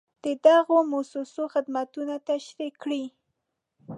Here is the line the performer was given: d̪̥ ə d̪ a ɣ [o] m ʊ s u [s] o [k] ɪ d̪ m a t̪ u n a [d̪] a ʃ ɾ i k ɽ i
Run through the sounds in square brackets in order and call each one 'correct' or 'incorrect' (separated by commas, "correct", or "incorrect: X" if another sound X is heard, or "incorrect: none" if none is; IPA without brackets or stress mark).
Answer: correct, correct, incorrect: x, incorrect: t̪